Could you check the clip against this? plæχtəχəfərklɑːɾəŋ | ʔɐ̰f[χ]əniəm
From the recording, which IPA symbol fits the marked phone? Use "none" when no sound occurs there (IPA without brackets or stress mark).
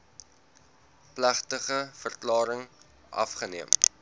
χ